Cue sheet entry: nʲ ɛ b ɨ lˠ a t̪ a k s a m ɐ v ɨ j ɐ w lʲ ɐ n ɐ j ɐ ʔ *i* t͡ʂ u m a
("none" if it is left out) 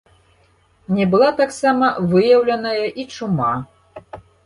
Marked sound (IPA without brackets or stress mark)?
i